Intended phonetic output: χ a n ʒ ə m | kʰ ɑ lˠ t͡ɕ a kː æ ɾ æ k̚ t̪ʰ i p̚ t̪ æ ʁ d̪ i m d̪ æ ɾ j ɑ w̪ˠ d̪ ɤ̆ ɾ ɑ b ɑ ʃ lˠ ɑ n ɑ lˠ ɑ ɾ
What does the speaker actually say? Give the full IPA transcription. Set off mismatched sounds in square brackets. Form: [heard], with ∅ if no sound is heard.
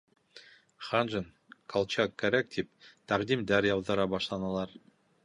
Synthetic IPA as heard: χ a n ʒ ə [n] | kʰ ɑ lˠ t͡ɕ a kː æ ɾ æ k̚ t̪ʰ i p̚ t̪ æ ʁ d̪ i m d̪ æ ɾ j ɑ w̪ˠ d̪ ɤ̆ ɾ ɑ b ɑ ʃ lˠ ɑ n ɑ lˠ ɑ ɾ